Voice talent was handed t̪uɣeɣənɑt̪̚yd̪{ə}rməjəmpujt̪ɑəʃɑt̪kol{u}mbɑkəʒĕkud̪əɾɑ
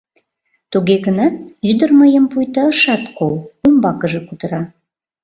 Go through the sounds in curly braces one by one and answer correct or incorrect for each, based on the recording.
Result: correct, correct

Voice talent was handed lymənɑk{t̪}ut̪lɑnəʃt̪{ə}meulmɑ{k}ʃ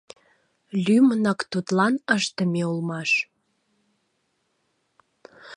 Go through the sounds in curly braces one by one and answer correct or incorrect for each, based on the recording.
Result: correct, correct, incorrect: none

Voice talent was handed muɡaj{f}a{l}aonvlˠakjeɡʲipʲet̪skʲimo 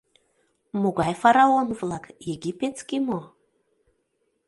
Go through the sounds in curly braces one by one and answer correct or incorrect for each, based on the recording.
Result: correct, incorrect: ɾ

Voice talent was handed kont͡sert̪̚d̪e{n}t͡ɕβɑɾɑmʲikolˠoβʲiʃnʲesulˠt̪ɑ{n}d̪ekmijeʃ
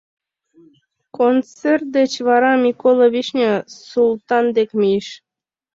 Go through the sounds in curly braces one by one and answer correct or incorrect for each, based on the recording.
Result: incorrect: none, correct

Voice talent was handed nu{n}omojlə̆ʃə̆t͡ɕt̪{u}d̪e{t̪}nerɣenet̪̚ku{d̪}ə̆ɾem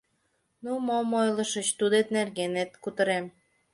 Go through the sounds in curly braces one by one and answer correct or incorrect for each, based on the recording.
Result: incorrect: m, correct, correct, incorrect: t̪

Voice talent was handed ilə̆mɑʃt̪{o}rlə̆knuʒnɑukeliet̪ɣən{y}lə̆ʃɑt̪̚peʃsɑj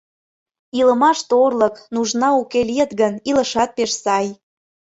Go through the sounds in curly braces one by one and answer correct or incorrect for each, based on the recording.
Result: correct, incorrect: i

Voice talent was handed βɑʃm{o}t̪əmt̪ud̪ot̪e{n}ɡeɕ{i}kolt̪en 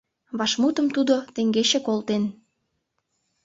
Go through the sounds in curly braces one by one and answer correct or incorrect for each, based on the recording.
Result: incorrect: u, incorrect: ŋ, incorrect: e

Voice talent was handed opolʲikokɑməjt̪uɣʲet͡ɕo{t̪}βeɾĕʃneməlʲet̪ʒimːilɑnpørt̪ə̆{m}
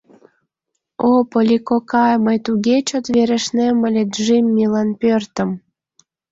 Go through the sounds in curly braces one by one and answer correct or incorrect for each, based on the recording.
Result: correct, correct

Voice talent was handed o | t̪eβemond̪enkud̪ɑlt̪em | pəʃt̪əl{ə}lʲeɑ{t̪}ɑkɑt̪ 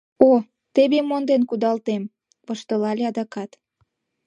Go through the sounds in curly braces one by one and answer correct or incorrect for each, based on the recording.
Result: incorrect: ɑ, incorrect: d̪

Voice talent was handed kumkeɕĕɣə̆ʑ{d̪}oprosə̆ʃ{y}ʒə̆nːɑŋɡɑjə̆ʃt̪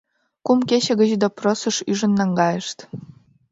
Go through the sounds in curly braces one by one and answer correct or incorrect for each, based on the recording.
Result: correct, correct

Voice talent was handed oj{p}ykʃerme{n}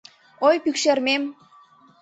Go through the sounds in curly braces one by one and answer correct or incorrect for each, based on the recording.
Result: correct, incorrect: m

